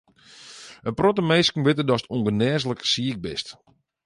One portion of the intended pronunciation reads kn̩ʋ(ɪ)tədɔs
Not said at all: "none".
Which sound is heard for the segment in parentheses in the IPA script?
ɪ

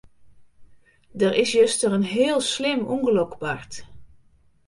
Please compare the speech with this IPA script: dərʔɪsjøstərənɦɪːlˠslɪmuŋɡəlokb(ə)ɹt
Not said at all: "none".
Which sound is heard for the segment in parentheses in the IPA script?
a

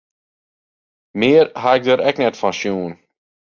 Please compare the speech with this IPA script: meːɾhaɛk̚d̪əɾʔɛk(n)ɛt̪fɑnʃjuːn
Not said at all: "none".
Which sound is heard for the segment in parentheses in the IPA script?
n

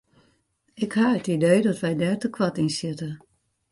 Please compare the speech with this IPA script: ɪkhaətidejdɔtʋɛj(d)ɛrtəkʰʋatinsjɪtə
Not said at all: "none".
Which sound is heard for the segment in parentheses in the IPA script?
d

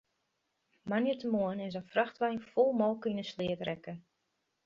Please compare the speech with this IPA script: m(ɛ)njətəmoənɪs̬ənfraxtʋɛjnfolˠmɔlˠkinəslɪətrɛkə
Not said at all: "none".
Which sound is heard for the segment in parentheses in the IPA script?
a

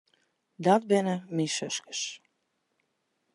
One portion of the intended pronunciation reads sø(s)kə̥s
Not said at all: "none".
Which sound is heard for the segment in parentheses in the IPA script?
s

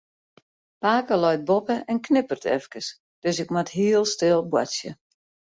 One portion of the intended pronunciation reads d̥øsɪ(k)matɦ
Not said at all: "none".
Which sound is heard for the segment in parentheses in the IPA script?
k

